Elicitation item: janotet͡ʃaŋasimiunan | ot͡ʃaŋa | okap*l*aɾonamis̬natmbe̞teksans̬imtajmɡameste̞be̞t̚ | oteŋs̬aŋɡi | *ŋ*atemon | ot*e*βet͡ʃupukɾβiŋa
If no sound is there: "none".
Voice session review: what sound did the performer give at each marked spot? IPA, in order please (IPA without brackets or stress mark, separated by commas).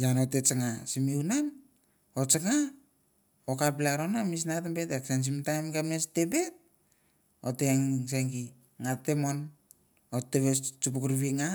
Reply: l, ŋ, e